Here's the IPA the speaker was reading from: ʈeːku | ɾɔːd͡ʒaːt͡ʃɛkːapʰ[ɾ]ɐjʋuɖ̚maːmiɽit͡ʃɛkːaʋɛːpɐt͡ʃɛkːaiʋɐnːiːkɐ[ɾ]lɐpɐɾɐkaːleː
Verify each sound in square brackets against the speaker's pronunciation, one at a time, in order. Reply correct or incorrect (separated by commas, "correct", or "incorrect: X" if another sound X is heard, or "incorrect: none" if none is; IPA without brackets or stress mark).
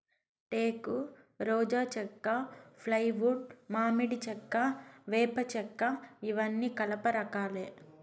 incorrect: l, incorrect: none